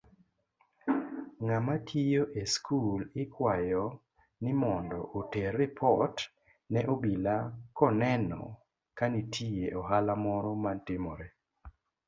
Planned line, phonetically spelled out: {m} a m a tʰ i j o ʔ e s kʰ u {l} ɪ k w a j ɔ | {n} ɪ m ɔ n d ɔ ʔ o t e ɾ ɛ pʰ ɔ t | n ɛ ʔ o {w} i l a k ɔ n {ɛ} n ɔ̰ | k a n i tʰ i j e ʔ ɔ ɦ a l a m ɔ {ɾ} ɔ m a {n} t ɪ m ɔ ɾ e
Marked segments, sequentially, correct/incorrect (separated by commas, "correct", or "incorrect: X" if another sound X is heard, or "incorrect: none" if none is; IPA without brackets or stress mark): incorrect: ŋ, correct, correct, incorrect: b, correct, correct, correct